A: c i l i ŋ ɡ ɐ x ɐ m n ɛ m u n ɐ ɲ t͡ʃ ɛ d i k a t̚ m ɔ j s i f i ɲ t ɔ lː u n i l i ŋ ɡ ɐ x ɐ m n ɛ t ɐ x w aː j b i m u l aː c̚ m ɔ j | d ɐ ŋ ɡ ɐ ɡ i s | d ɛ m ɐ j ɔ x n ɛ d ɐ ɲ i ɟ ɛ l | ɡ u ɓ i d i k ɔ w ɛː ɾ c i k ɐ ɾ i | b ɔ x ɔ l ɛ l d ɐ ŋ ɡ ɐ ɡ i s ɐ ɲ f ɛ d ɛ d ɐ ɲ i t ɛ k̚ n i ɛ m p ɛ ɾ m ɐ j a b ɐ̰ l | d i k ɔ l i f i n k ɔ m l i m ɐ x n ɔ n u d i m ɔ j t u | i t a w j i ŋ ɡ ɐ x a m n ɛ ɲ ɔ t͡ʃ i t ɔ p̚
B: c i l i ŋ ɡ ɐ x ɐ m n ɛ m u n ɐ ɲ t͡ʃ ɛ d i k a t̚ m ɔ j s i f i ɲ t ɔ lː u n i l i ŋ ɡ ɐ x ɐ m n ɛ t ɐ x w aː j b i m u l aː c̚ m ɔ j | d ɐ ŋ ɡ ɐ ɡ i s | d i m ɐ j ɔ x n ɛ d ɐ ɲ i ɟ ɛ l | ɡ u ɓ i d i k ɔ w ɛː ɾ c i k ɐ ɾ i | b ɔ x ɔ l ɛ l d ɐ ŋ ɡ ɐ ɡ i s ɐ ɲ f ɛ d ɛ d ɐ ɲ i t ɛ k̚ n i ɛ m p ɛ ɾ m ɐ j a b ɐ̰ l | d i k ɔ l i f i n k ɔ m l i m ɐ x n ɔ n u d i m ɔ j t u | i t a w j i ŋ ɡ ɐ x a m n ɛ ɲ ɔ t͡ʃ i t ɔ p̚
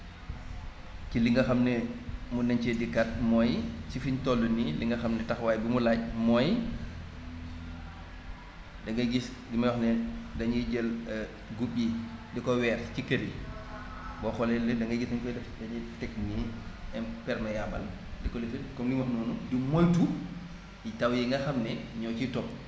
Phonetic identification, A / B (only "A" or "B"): B